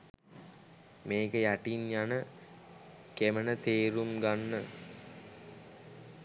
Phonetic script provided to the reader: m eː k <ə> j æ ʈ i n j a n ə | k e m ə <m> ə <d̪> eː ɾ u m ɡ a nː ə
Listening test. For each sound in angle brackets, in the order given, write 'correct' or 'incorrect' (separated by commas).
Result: correct, incorrect, incorrect